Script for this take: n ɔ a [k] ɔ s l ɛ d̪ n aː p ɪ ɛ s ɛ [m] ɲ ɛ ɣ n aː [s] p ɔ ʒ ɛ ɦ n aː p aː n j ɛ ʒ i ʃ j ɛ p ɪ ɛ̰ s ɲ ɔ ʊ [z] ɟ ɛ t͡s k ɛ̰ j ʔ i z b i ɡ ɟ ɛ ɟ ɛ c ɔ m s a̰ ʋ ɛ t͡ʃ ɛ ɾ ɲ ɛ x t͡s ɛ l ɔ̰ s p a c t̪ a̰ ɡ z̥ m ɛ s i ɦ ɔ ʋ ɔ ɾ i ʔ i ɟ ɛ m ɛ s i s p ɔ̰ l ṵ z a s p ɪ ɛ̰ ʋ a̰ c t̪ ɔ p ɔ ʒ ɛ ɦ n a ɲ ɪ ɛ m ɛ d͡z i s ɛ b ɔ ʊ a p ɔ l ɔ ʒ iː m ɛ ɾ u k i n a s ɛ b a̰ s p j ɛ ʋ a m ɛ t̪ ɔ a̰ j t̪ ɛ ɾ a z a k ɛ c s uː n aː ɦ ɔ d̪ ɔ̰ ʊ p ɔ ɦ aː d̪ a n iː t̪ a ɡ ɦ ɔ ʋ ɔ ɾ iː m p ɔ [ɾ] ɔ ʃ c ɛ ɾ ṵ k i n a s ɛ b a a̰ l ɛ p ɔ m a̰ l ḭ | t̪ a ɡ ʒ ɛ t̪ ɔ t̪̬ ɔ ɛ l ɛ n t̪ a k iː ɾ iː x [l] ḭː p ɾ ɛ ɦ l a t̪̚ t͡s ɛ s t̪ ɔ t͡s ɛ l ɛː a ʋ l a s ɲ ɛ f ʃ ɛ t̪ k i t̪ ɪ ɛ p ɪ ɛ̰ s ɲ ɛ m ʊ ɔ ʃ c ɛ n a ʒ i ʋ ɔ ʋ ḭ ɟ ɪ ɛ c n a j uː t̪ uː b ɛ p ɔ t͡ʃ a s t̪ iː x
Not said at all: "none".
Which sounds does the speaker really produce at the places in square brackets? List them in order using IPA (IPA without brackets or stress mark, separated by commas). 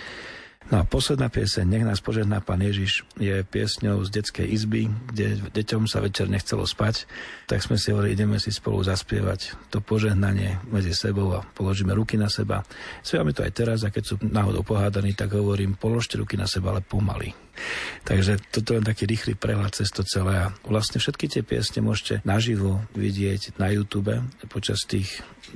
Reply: p, ɲ, s, z, l, l